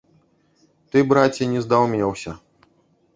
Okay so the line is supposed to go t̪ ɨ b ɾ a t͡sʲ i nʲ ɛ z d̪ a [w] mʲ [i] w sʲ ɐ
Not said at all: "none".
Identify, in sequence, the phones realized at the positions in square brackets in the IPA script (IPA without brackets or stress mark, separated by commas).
w, ɛ